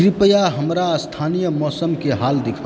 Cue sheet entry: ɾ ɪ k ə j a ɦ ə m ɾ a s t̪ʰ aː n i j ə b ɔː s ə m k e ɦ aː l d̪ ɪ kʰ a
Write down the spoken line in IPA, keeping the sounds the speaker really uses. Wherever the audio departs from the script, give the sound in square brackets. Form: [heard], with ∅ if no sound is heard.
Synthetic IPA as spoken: ɾ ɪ [p] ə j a ɦ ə m ɾ a s t̪ʰ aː n i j ə [m] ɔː s ə m k e ɦ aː l d̪ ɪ kʰ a